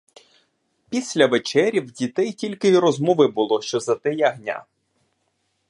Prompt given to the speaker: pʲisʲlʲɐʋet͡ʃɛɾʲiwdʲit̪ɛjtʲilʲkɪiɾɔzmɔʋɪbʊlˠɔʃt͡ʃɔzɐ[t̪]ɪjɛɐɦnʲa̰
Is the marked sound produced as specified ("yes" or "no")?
yes